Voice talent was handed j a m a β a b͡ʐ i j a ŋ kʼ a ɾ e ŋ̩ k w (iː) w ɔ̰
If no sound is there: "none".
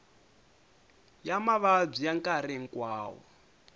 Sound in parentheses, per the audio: aː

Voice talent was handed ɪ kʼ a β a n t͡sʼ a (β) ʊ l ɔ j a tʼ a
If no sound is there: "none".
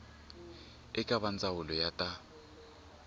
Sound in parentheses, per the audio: w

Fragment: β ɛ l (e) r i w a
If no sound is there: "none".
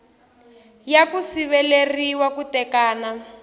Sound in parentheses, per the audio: e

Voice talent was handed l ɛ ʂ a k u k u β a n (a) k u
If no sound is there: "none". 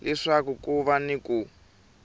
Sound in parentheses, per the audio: i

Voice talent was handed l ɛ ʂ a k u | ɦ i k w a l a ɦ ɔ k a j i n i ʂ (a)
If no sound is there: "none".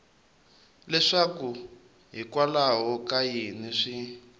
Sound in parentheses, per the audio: i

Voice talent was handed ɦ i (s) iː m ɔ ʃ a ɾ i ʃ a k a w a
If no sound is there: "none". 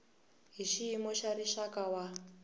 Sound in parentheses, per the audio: ʃ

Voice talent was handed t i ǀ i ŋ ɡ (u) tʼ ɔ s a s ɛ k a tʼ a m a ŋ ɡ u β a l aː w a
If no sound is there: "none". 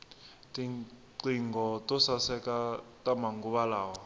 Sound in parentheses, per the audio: ɔ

